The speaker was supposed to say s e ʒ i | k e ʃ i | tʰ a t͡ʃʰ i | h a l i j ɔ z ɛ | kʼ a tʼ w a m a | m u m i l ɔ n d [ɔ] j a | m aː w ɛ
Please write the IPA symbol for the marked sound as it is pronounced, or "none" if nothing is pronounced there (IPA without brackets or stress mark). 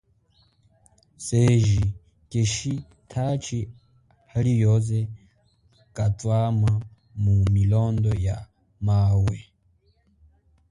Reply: ɔ